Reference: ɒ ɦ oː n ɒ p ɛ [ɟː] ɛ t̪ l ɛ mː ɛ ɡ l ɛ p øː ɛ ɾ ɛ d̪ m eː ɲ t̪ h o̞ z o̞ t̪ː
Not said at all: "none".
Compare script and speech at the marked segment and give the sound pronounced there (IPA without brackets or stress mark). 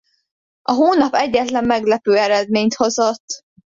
ɟː